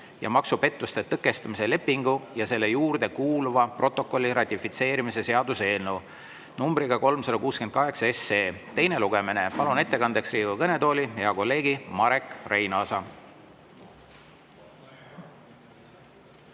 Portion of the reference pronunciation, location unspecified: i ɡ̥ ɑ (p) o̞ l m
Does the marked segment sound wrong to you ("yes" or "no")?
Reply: yes